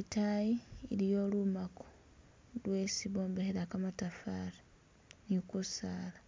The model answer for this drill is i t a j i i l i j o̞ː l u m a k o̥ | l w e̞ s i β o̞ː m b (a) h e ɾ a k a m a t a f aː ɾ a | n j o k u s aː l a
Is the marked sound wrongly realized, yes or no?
yes